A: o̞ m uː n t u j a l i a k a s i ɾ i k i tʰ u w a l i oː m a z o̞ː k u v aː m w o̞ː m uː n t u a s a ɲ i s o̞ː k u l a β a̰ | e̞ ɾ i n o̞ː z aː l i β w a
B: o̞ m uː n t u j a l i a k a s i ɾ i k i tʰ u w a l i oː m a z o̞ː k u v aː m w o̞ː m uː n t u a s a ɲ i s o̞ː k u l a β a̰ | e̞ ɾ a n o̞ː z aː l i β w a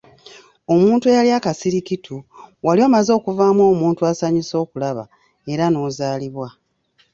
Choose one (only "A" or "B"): B